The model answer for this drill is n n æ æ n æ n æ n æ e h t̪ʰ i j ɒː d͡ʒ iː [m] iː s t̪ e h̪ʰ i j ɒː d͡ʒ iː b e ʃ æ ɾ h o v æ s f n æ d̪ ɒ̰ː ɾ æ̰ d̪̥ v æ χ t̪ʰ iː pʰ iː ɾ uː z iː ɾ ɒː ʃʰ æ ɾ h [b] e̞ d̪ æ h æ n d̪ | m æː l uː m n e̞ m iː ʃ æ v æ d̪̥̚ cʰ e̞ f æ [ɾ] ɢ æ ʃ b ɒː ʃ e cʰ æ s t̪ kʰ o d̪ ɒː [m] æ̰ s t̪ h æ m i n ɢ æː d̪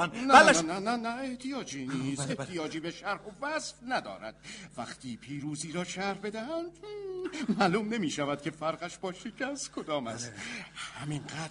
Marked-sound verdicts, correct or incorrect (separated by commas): incorrect, correct, correct, correct